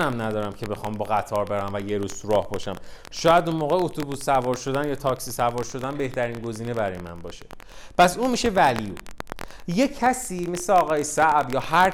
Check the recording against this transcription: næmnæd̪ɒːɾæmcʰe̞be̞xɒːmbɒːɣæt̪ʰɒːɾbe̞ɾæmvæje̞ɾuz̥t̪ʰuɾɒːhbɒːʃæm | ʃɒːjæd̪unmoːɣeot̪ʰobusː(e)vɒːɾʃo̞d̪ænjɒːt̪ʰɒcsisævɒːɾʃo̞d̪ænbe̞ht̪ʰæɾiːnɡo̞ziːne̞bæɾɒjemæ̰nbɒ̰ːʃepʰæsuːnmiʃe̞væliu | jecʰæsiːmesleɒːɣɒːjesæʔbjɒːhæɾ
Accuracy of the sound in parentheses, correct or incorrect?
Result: incorrect